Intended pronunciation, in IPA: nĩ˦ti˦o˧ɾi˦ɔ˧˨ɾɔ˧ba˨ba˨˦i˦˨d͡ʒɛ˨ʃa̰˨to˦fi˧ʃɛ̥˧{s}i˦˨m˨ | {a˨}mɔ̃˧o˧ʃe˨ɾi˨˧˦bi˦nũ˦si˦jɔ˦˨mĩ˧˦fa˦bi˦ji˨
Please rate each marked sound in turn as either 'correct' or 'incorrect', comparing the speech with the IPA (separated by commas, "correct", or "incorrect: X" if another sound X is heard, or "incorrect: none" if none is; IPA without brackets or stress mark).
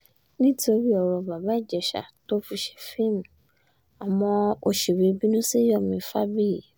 incorrect: f, correct